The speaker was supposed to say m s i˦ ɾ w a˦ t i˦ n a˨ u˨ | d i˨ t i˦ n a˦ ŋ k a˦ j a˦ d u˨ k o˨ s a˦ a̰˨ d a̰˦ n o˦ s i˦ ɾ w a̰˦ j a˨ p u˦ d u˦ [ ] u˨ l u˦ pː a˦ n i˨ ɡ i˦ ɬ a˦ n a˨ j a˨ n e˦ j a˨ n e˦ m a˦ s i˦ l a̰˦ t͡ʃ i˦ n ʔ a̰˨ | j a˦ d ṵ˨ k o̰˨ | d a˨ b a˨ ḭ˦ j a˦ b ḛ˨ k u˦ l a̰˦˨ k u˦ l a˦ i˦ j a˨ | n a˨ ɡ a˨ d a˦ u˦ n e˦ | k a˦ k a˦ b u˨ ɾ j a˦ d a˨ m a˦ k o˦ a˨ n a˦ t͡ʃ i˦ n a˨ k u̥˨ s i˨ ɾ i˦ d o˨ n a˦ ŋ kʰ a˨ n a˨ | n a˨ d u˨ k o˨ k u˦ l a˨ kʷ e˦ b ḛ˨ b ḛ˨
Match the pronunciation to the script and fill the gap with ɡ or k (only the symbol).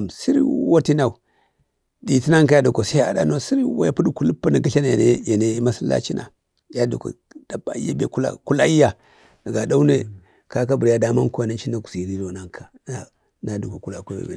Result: k